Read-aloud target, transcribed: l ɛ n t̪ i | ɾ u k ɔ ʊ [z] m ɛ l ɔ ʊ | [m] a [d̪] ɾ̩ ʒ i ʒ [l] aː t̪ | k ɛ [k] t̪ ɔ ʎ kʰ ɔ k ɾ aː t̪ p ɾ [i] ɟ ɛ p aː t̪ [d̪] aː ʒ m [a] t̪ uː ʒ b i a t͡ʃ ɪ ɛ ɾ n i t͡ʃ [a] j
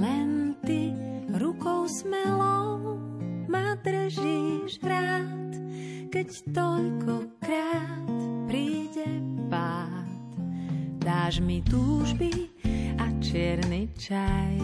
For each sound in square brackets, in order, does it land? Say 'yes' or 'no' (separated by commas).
no, yes, yes, no, no, no, yes, no, yes